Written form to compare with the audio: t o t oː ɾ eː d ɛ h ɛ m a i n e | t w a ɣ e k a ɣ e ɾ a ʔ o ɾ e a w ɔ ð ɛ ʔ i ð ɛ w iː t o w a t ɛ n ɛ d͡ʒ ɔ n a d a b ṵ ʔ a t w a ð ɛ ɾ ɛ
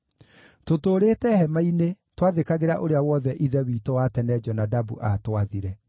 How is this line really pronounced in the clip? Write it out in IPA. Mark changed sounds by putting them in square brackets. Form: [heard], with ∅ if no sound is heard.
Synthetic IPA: t o t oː ɾ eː [t] ɛ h ɛ m a i n e | t w a [ð] e k a ɣ e ɾ a ʔ o ɾ e a w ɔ ð ɛ ʔ i ð ɛ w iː t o w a t ɛ n ɛ d͡ʒ ɔ n a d a b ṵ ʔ a t w a ð [i] ɾ ɛ

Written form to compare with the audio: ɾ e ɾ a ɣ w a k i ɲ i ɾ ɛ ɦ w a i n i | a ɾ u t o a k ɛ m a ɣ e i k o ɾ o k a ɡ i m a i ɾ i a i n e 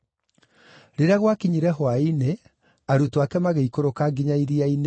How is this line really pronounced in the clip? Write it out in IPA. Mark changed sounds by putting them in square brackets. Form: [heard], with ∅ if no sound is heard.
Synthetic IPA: ɾ e ɾ a ɣ w a k i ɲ i ɾ ɛ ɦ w a i n [e] | a ɾ u t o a k ɛ m a ɣ e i k o ɾ o k a ɡ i [ɲ] a i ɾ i a i n e

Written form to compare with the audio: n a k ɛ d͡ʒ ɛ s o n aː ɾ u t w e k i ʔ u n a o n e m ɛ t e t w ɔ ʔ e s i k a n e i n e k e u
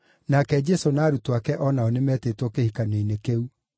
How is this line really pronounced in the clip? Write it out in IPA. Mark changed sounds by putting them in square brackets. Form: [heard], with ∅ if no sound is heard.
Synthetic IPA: n a k ɛ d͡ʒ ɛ s o n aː ɾ u t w [a] k [ɛ] ʔ [ɔ] n a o n e m ɛ t e t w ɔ [k] e [h] i k a n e i n e k e u

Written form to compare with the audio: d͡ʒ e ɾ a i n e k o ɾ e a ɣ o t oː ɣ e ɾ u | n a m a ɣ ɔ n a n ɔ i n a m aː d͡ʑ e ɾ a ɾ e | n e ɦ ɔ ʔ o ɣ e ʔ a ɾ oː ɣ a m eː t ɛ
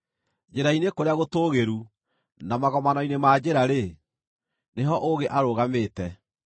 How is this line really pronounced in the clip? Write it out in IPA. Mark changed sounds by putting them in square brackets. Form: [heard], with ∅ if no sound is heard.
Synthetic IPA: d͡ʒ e ɾ a i n e k o ɾ e a ɣ o t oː ɣ e ɾ u | n a m a ɣ ɔ [m] a n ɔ i n [e] m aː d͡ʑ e ɾ a ɾ e | n e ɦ ɔ ʔ o ɣ e ʔ a ɾ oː ɣ a m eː t ɛ

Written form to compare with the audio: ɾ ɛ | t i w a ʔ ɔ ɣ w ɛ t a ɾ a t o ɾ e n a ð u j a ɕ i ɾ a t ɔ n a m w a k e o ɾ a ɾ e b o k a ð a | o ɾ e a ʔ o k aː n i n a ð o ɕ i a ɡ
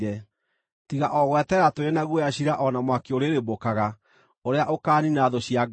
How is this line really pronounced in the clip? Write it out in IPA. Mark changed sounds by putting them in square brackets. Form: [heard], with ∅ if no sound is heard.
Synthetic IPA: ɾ ɛ | t i [ɣ] a ʔ ɔ ɣ w ɛ t [ɛ] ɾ a t o ɾ e n a [ɣ] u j a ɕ i ɾ a [ʔ] ɔ n a m w a k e o ɾ [e] ɾ e b o k a [ɣ] a | o ɾ e a ʔ o k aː n i n a ð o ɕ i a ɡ

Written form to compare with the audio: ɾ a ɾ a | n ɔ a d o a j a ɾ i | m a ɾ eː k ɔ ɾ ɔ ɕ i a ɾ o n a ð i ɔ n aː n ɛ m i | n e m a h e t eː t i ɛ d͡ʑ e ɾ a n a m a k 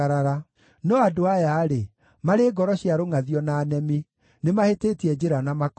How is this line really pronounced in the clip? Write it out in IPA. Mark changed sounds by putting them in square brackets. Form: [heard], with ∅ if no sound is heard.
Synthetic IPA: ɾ a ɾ a | n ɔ a d o a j a ɾ [e] | m a ɾ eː [ɡ] ɔ ɾ ɔ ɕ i a ɾ o [ŋ] a ð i ɔ n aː n ɛ m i | n e m a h e t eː t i ɛ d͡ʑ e ɾ a n a m a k

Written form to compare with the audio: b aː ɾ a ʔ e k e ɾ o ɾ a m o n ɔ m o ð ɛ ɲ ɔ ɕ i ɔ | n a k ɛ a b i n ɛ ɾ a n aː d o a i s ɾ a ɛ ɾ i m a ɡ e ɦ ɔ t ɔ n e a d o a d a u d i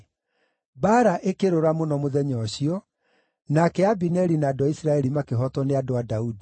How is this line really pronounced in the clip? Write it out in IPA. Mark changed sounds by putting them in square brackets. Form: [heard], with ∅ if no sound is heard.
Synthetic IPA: b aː ɾ a ʔ e k e ɾ o ɾ a m o n ɔ m o ð ɛ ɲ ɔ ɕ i ɔ | n a k ɛ a b i n ɛ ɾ [i] n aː d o a i s ɾ a ɛ ɾ i m a [k] e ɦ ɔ t ɔ n e a d o a d a u d i

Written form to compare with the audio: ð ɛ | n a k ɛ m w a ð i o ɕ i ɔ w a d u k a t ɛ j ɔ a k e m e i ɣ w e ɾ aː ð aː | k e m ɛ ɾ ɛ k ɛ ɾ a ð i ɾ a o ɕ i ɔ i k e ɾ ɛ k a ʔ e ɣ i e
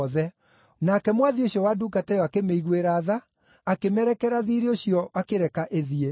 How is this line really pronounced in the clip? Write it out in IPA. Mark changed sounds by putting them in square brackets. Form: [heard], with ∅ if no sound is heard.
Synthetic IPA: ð ɛ | n a k ɛ m w a ð i o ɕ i ɔ w a d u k a t ɛ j ɔ a k e m e i ɣ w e ɾ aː ð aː | k e m ɛ ɾ ɛ k ɛ ɾ a ð i ɾ [e] o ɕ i ɔ [a] k e ɾ ɛ k a ʔ e [ð] i e

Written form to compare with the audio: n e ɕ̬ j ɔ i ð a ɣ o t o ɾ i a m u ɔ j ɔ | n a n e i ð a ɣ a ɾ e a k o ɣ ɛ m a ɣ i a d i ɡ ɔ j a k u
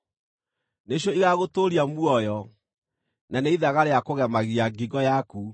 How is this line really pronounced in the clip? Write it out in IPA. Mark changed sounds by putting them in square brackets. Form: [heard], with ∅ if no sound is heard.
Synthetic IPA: n e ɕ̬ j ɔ i [ɣ] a ɣ o t o ɾ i a m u ɔ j ɔ | n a n e i ð a ɣ a ɾ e a k o ɣ ɛ m a ɣ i a [ɡ] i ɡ ɔ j a k u

